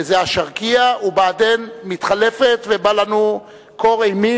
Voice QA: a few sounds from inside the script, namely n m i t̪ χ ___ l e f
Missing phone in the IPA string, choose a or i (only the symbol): a